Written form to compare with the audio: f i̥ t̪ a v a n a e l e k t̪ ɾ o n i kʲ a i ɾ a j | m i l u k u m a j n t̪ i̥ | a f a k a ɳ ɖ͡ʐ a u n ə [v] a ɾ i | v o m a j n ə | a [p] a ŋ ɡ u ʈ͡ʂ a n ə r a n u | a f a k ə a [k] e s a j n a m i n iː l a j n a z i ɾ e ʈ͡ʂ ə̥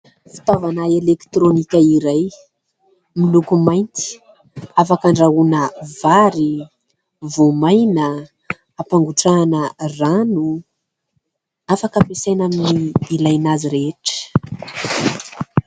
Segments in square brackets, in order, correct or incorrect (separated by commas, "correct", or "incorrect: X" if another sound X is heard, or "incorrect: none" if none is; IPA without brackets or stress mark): correct, correct, incorrect: p